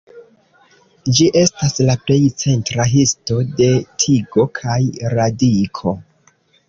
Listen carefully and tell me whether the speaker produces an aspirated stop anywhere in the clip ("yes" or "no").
yes